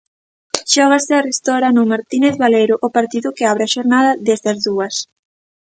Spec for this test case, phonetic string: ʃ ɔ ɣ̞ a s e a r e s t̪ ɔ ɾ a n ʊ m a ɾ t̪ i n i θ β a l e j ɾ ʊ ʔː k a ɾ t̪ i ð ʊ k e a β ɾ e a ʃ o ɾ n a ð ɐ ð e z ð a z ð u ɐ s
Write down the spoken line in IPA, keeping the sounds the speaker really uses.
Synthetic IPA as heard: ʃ ɔ ɣ̞ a s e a r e s t̪ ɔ ɾ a n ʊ m a ɾ t̪ i n e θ β a l e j ɾ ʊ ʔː p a ɾ t̪ i ð ʊ k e a β ɾ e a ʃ o ɾ n a ð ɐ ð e z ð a z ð u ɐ s